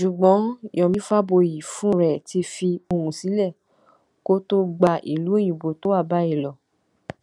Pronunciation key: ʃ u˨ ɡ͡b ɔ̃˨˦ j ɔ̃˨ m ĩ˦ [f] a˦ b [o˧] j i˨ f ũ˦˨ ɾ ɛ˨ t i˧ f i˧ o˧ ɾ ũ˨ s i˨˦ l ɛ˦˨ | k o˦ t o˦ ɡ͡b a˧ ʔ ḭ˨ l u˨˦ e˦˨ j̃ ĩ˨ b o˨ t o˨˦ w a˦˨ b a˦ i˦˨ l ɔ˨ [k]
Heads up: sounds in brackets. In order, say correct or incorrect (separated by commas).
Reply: correct, correct, incorrect